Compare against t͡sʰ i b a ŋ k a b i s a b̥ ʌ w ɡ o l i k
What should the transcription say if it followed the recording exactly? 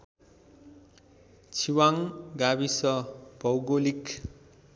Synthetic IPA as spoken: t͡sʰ i w a ŋ ɡ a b i s ʌ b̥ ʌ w ɡ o l i k